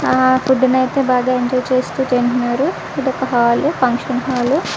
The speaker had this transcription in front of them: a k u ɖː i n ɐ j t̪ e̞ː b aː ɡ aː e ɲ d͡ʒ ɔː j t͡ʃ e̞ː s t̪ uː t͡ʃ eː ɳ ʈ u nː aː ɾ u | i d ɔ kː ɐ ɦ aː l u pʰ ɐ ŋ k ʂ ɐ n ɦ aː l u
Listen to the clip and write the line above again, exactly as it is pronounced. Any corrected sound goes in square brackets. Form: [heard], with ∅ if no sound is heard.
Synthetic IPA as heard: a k u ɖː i n ɐ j t̪ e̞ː b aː ɡ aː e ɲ d͡ʒ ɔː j t͡ʃ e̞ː s t̪ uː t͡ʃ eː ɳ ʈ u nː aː ɾ u | i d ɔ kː ɐ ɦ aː l u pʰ ɐ ŋ k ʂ ɐ n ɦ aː l u